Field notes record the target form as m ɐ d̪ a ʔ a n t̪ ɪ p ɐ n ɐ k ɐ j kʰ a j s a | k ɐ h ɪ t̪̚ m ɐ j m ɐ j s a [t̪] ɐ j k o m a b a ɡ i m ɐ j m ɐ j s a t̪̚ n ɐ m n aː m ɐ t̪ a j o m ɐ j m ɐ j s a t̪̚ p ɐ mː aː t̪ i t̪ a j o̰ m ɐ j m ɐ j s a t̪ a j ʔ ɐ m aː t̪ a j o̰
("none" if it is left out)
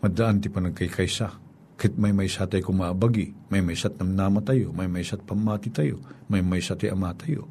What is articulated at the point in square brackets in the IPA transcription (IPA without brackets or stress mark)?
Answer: t̪